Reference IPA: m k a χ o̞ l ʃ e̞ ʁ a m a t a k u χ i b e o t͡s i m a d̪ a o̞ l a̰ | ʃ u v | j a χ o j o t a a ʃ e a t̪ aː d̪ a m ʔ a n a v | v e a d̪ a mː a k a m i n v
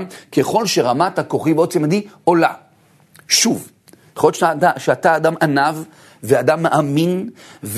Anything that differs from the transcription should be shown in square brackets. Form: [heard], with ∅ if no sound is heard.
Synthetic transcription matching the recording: m k [e] χ o̞ l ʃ e̞ ʁ a m a t a k [o] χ i b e o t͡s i m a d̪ [i] o̞ l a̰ | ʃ u v | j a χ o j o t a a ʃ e a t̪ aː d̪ a m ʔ a n a v | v e a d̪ a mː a [ʔ] a m i n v